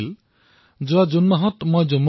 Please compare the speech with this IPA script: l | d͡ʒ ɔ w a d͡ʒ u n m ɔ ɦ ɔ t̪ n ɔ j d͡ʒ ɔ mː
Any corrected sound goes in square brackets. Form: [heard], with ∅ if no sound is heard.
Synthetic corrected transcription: l | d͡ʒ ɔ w a d͡ʒ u n m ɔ ɦ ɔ t̪ [m] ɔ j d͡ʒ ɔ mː